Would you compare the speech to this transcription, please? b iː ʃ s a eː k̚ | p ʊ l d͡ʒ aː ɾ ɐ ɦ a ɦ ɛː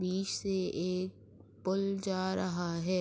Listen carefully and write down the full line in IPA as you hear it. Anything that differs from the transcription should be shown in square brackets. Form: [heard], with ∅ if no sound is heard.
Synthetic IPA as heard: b iː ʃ s [e] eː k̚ | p ʊ l d͡ʒ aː ɾ ɐ ɦ a ɦ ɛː